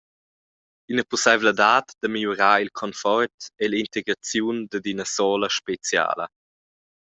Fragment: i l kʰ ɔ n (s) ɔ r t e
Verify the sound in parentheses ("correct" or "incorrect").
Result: incorrect